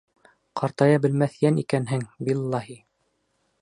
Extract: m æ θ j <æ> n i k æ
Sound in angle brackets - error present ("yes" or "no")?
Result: no